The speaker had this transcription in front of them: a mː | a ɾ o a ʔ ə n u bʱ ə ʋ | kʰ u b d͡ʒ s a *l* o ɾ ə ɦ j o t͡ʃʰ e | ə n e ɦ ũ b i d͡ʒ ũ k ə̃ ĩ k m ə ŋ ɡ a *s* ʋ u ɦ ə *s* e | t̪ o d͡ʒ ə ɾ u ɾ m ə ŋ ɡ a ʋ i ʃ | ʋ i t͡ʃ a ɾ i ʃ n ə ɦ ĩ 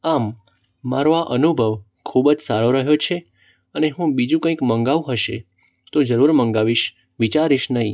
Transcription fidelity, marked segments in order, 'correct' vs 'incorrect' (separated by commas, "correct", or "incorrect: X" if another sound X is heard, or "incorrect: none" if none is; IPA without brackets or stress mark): incorrect: ɾ, incorrect: none, incorrect: ʃ